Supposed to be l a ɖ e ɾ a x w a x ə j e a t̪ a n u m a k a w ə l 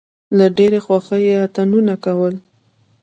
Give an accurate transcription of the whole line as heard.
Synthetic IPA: l a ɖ e ɾ e x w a x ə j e a t̪ a n u n a k a w ə l

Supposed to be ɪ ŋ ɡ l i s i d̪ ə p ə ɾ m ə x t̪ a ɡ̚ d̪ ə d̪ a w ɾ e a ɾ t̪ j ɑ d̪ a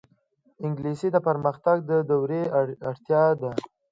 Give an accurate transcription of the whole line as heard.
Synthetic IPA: ɪ ŋ ɡ l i s i d̪ ə p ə ɾ m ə x t̪ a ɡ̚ d̪ ə d̪ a w ɾ e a ɽ t̪ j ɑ d̪ a

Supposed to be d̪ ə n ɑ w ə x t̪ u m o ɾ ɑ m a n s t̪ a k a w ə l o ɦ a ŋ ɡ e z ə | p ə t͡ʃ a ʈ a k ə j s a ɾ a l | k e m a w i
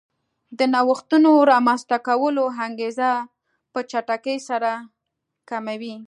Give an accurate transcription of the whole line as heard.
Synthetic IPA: d̪ ə n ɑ w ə x t̪ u n o ɾ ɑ m a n s t̪ a k a w ə l o ɦ a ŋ ɡ e z a | p ə t͡ʃ a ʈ a k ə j s a ɾ a | k a m a w i

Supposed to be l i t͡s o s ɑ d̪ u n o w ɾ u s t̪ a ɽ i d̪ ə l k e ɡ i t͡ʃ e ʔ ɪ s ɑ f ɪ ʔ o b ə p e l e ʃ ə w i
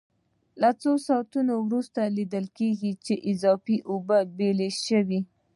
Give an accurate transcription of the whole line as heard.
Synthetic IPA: l a t͡s o s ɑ t̪ u n o w ɾ u s t̪ a l i d̪ ə l k e ɡ i t͡ʃ e ʔ ɪ z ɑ f i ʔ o b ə b e l e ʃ ə w i

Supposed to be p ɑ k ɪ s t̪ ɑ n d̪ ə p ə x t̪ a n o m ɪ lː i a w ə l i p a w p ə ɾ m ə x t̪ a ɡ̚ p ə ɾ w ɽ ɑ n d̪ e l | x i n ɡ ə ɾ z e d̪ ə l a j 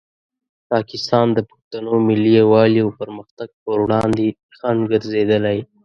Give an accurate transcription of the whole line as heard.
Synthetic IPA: p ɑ k ɪ s t̪ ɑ n d̪ ə p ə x t̪ a n o m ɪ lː i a w ɑ l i a w p ə ɾ m ə x t̪ a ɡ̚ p ə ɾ w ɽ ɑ n d̪ e | x a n ɡ ə ɾ z e d̪ ə l a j

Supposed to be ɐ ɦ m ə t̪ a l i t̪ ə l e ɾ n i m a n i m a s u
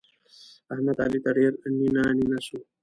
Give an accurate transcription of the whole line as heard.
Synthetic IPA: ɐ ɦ m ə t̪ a l i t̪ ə ɽ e ɾ n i n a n i n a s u

